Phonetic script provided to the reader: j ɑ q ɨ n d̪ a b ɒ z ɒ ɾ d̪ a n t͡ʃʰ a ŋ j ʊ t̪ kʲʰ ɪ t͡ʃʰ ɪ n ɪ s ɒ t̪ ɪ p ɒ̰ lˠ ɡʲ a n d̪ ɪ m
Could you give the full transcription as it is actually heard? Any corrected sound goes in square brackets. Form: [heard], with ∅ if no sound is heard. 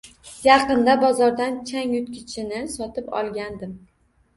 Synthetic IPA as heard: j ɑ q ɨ n d̪ a b ɒ z ɒ ɾ d̪ a n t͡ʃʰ a ŋ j ʊ t̪ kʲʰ ɪ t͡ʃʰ ɪ n ɪ s ɒ t̪ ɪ p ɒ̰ lˠ ɡʲ a n d̪ ɪ m